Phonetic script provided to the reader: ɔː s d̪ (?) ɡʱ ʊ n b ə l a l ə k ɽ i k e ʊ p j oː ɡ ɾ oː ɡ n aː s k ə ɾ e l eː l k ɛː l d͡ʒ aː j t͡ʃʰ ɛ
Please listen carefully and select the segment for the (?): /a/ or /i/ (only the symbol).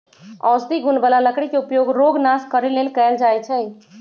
i